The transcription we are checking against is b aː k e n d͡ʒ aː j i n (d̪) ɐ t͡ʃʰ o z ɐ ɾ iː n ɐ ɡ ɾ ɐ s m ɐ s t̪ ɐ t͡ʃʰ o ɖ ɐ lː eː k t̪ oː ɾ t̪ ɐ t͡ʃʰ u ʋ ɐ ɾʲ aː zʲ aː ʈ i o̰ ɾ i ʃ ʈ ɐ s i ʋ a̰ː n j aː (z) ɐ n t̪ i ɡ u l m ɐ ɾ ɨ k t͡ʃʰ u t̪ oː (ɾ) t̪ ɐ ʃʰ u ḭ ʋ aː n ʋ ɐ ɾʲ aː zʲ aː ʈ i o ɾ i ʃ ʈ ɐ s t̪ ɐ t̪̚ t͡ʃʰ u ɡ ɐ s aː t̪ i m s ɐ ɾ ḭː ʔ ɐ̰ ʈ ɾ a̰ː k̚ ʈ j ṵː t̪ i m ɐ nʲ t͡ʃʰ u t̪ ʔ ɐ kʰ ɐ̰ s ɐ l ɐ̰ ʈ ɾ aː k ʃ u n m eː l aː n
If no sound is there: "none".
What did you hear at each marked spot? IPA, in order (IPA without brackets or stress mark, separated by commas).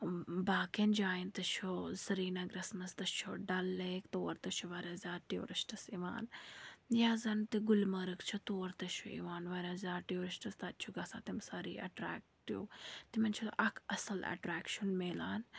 t̪, z, ɾ